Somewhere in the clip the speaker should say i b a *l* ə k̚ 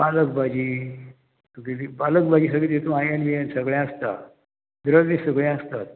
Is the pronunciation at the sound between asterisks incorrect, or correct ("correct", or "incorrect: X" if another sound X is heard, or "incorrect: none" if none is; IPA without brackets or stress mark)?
correct